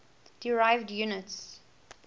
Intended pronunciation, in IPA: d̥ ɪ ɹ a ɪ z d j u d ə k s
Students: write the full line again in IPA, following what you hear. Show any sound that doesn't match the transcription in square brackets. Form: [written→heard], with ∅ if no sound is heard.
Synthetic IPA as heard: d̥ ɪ ɹ a ɪ [z→v] d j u [d→n] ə [k→t] s

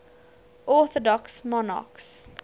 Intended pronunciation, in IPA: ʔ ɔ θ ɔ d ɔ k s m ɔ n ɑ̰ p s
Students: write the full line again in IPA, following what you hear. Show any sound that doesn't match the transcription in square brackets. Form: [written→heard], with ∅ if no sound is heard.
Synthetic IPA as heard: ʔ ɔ θ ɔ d ɔ k s m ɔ n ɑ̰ [p→k] s

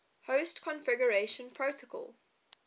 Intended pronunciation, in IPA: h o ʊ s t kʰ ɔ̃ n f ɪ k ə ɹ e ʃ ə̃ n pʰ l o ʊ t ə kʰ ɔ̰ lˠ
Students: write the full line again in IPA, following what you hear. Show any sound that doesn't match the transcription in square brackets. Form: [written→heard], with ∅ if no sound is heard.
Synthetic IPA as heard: h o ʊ s t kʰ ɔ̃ n f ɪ [k→ɡ] ə ɹ e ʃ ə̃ n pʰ [l→ɹ] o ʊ t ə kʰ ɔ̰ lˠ

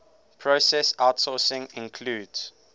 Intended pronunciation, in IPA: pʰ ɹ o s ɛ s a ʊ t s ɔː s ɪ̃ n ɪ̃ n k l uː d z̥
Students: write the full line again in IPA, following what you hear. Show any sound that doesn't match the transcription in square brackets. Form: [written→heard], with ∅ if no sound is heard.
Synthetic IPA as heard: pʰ ɹ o s ɛ s a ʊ t s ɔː s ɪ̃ [n→ŋ] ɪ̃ n [k→kʰ] l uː d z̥

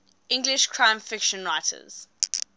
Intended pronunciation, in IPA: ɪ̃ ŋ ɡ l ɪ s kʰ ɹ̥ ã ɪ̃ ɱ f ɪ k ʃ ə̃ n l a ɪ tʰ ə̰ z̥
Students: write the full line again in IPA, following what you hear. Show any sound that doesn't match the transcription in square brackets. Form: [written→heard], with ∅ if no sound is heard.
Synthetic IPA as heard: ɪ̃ ŋ ɡ l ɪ [s→ʃ] kʰ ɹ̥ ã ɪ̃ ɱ f ɪ k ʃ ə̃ n [l→ɹ] a ɪ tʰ ə̰ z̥

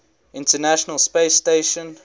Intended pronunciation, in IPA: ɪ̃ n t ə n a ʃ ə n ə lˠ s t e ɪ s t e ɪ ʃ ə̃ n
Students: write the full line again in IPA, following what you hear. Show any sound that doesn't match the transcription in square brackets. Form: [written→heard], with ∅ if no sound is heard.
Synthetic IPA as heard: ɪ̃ n t ə n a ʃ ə n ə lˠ s [t→p] e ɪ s t e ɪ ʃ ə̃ n

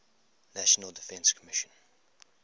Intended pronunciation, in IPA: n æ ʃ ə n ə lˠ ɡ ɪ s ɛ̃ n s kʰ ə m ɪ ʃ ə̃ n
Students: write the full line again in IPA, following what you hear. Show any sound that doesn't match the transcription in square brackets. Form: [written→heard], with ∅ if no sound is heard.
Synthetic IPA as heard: n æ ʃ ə n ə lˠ [ɡ→d] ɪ [s→f] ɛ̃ n s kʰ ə m ɪ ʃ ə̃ n

